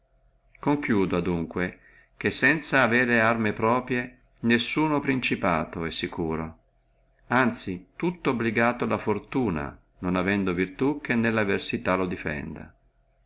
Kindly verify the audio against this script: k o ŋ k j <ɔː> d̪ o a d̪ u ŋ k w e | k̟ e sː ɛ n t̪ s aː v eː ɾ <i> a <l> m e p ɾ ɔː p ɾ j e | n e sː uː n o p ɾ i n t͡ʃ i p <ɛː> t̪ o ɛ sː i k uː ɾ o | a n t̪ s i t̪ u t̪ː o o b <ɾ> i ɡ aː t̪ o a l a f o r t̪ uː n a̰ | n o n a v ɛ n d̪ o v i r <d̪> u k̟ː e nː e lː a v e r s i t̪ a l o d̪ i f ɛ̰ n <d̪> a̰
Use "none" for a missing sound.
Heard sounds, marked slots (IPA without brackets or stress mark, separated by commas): uː, e, r, aː, l, t̪, d̪